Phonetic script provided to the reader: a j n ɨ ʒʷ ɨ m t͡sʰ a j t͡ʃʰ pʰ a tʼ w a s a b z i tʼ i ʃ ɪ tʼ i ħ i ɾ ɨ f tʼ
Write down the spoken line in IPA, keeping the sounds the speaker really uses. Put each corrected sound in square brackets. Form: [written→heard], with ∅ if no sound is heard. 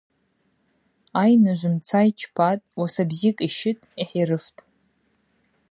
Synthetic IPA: a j n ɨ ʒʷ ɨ m t͡sʰ a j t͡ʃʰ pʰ a tʼ w a s a b z i [tʼ→kʼ] i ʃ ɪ tʼ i ħ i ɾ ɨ f tʼ